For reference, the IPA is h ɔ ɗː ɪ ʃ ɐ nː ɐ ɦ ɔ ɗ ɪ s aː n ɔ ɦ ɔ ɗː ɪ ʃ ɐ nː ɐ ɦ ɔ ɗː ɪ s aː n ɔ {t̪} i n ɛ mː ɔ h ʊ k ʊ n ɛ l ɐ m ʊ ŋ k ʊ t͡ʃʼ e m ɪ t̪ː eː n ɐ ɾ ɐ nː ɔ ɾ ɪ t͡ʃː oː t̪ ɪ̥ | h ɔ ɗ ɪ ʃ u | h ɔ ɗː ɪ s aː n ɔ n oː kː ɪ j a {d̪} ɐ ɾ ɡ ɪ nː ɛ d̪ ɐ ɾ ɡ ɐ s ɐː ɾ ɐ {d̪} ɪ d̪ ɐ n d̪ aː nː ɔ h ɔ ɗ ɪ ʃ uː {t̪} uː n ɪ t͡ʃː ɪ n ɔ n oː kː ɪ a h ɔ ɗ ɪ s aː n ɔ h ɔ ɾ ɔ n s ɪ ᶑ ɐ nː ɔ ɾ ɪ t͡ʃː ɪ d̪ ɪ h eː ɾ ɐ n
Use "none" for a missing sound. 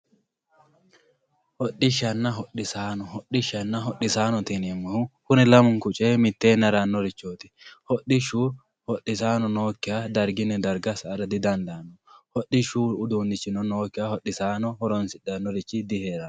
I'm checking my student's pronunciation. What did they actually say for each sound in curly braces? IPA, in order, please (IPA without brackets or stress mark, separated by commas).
t̪, d̪, d̪, d̪